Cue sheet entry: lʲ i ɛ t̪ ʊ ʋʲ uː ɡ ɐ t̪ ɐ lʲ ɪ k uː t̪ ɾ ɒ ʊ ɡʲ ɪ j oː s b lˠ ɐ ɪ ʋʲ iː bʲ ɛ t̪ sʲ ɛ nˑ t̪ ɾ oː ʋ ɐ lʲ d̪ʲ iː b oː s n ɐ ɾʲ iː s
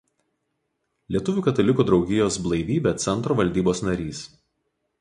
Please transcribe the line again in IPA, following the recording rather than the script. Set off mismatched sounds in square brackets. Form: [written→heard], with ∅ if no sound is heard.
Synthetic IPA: lʲ i ɛ t̪ ʊ ʋʲ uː [ɡ→k] ɐ t̪ ɐ lʲ ɪ k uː [t̪→d̪] ɾ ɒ ʊ ɡʲ ɪ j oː s b lˠ ɐ ɪ ʋʲ iː bʲ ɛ t̪ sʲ ɛ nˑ t̪ ɾ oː ʋ ɐ lʲ d̪ʲ iː b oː s n ɐ ɾʲ iː s